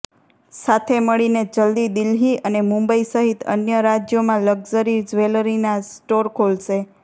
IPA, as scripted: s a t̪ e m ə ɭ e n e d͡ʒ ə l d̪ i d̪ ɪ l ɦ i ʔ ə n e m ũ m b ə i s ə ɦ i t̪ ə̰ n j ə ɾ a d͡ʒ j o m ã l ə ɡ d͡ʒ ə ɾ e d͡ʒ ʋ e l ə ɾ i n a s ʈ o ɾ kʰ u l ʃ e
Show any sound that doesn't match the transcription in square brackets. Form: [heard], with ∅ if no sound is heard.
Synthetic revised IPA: s a [t̪ʰ] e m ə ɭ [i] n e d͡ʒ ə l d̪ i d̪ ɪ l ɦ i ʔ ə n e m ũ m b ə i s ə ɦ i t̪ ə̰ n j ə ɾ a d͡ʒ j o m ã l ə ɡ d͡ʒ ə ɾ [i] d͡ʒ ʋ e l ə ɾ i n a s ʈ o ɾ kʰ [o] l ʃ e